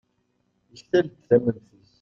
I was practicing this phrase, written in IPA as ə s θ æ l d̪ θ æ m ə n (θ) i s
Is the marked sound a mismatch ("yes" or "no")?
no